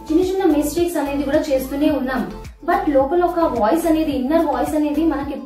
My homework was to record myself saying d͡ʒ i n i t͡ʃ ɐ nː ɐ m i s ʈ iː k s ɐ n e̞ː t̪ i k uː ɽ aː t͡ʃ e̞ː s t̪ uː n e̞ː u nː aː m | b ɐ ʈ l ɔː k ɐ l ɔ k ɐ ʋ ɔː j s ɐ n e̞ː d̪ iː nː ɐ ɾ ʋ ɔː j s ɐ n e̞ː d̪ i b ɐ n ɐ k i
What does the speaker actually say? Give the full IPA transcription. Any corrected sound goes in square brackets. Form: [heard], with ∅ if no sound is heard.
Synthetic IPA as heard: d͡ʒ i n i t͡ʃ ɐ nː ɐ m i s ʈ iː k s ɐ n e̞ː [d̪] i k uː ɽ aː t͡ʃ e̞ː s t̪ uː n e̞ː u nː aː m | b ɐ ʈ l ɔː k ɐ l ɔ k ɐ ʋ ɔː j s ɐ n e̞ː d̪ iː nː ɐ ɾ ʋ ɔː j s ɐ n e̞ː d̪ i [m] ɐ n ɐ k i